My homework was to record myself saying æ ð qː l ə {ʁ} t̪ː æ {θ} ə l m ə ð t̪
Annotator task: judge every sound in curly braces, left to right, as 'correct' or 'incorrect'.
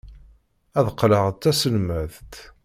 correct, incorrect

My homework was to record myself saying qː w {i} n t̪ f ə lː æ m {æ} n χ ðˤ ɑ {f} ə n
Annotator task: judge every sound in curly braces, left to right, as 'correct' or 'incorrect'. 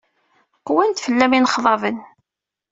incorrect, incorrect, incorrect

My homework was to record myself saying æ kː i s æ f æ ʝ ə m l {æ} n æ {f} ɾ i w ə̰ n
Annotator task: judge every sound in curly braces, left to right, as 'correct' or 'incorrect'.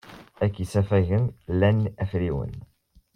correct, correct

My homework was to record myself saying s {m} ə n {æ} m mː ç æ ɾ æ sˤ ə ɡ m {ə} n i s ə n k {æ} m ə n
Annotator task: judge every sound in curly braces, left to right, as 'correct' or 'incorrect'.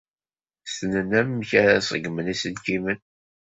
incorrect, correct, correct, incorrect

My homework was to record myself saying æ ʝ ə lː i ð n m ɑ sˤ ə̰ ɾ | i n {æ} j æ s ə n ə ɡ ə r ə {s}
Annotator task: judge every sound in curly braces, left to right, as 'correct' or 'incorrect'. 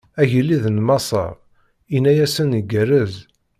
correct, incorrect

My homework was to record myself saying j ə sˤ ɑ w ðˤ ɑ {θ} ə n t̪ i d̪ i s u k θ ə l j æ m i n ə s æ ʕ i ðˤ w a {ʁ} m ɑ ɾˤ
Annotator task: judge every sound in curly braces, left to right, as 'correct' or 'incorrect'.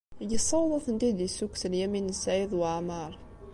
correct, incorrect

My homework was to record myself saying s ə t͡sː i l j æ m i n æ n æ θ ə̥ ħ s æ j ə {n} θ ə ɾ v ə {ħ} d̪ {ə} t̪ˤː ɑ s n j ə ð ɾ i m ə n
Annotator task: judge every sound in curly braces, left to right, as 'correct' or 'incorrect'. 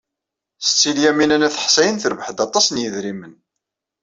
correct, correct, incorrect

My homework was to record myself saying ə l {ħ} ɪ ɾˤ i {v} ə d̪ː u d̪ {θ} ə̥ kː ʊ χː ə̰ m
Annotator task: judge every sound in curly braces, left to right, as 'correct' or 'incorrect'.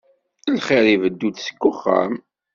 incorrect, correct, incorrect

